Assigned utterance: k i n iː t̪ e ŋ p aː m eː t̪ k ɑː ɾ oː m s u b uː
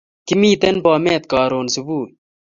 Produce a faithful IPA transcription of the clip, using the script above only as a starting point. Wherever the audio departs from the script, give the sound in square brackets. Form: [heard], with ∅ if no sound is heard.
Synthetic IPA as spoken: k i [m] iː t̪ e [n] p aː m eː t̪ k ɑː ɾ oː [n] s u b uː